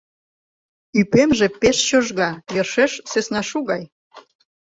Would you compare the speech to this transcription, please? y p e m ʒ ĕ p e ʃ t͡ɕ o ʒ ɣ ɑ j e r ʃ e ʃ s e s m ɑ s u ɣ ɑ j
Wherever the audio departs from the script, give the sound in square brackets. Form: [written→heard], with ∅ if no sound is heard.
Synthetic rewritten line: y p e m ʒ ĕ p e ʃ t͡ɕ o ʒ ɣ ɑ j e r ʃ e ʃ s e s [m→n] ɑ [s→ʃ] u ɣ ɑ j